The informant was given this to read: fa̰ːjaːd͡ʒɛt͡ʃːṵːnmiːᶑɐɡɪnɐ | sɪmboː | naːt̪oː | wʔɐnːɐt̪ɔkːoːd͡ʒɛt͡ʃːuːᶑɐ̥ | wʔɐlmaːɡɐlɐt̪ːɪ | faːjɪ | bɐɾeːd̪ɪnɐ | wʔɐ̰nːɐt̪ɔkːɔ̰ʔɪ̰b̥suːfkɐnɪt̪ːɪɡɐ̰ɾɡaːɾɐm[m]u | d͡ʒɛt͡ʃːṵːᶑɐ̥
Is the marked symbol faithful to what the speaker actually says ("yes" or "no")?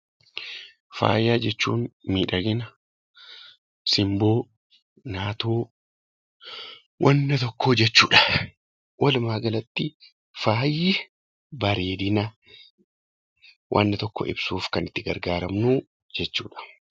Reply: no